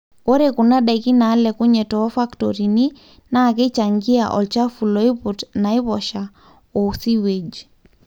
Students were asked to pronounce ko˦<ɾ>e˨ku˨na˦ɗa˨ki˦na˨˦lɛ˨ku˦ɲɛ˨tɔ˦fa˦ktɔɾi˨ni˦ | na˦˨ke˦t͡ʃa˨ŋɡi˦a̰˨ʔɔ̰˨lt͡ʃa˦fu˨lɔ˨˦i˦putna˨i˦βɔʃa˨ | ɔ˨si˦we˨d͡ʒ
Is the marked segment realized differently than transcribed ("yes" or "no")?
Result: no